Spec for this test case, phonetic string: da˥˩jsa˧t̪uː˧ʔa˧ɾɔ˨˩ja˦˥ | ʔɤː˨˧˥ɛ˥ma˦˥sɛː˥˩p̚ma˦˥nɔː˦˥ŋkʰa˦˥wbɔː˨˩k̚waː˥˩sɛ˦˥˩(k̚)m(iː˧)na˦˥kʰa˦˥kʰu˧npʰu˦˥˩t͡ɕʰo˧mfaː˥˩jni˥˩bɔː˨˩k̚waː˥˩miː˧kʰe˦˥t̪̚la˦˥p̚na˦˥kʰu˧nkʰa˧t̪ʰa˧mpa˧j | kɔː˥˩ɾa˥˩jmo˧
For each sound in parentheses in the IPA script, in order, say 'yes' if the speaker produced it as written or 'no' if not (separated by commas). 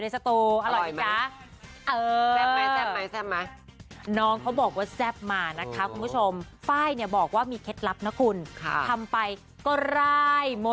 no, no